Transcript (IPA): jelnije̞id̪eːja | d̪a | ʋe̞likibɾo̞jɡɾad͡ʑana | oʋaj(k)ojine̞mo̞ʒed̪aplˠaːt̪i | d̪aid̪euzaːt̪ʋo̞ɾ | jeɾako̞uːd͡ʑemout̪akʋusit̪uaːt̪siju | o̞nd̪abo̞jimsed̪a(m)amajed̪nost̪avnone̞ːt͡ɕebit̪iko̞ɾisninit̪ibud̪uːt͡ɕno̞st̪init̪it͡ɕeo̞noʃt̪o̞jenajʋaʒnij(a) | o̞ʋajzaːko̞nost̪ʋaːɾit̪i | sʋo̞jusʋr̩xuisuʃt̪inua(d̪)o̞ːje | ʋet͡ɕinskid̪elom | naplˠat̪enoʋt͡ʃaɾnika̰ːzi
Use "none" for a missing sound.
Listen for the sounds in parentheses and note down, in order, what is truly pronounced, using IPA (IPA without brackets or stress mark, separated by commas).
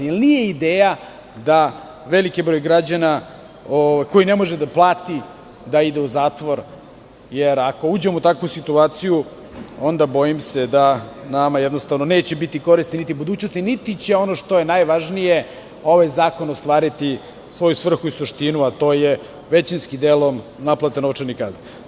k, n, e, t̪